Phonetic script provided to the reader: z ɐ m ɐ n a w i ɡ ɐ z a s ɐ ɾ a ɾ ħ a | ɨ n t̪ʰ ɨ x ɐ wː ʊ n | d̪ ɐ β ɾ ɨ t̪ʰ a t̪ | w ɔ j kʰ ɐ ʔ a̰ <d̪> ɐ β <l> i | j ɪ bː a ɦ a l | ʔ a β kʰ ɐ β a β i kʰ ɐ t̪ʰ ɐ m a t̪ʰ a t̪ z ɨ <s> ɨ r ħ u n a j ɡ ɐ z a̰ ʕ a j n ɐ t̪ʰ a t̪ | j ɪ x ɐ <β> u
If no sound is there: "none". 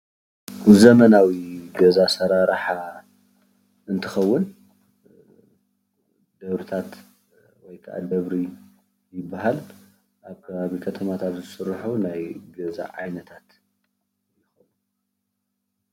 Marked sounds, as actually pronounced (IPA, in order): d̪, ɾ, s, w

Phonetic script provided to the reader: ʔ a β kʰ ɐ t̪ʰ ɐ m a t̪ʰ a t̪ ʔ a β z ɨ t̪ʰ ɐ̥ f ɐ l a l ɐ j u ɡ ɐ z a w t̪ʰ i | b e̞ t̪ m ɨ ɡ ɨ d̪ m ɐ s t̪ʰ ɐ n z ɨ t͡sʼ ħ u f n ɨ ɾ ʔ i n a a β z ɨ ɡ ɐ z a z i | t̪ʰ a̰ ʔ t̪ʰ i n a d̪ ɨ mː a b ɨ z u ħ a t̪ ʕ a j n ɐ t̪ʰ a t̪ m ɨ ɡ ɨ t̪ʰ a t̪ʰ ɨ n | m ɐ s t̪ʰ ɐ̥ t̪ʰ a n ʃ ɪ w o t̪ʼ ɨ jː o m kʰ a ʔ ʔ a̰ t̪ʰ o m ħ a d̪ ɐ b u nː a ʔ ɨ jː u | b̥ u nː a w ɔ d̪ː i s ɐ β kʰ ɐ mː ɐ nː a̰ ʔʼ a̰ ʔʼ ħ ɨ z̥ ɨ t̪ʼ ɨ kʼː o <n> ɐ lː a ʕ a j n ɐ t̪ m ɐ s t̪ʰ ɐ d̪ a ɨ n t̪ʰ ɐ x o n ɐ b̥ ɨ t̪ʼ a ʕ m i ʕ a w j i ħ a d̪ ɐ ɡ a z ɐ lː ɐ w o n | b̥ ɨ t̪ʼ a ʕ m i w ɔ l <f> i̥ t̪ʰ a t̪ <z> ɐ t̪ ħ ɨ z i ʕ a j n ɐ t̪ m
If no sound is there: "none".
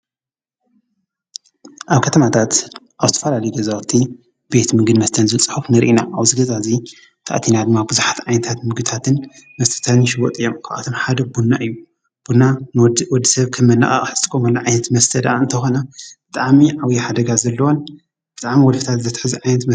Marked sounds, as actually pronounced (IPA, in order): m, f, z

